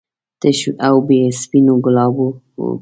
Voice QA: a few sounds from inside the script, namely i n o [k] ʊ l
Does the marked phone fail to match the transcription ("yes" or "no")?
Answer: yes